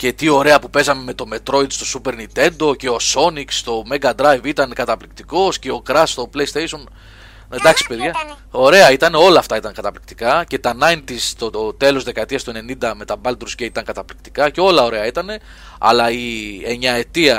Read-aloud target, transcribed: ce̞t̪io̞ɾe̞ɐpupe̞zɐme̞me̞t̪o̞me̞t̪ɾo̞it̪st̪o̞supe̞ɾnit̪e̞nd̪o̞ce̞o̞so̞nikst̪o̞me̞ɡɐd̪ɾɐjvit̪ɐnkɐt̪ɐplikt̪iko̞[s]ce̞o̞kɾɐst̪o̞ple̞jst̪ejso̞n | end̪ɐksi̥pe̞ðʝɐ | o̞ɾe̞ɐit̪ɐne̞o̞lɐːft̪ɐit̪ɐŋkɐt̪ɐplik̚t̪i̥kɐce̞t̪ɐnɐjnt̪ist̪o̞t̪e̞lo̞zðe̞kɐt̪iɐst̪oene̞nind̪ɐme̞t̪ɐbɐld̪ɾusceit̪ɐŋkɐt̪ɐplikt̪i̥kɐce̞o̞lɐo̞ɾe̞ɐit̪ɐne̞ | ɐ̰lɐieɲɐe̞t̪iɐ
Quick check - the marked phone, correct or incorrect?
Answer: correct